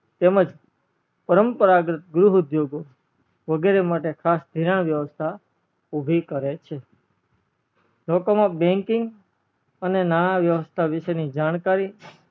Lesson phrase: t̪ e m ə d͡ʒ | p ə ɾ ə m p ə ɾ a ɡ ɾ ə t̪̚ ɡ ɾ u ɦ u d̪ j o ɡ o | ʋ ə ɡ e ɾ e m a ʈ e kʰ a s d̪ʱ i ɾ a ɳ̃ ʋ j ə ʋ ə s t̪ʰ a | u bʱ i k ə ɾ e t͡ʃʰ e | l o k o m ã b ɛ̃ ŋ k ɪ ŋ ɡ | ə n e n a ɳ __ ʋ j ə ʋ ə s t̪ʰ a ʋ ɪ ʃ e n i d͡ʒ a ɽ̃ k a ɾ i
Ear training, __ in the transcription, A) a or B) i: A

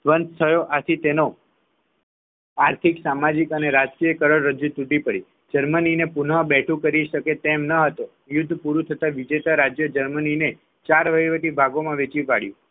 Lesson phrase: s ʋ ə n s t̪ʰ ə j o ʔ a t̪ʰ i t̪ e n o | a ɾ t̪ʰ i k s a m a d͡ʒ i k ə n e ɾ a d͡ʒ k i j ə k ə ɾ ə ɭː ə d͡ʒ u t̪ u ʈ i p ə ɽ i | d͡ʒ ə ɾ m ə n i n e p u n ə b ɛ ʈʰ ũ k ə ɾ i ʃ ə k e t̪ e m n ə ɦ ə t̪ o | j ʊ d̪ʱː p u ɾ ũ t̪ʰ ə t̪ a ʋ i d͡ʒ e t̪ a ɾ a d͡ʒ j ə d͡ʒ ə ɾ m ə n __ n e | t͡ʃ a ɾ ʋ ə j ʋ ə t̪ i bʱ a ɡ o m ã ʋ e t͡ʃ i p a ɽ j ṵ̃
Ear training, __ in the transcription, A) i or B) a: A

